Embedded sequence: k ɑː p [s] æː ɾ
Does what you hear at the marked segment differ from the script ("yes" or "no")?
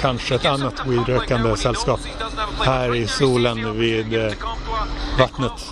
yes